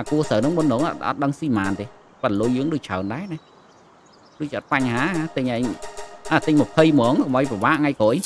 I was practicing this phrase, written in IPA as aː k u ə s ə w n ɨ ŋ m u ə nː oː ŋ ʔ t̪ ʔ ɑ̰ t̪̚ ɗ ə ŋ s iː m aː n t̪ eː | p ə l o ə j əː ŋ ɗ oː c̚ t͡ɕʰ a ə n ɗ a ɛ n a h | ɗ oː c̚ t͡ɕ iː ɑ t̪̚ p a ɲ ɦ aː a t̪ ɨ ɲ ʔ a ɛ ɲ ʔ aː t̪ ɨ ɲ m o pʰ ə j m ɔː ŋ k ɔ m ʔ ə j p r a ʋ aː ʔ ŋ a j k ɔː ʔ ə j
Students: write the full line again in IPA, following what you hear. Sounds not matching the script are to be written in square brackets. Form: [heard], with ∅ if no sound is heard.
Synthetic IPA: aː k u ə s ə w n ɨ ŋ m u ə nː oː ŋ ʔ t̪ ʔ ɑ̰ t̪̚ ɗ ə ŋ s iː m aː n t̪ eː | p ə l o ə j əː ŋ ɗ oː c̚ t͡ɕʰ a ə n ɗ a ɛ n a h | ɗ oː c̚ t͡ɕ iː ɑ t̪̚ p a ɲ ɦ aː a t̪ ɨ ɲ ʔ a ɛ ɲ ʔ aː t̪ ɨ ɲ m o pʰ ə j m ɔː ŋ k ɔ m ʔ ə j p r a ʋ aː ʔ ŋ a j k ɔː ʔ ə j